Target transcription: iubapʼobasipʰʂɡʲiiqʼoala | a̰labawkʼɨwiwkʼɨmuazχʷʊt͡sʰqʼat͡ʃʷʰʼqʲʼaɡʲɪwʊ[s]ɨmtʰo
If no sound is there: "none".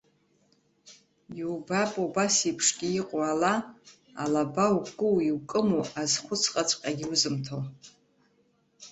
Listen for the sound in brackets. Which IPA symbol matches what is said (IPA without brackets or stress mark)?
z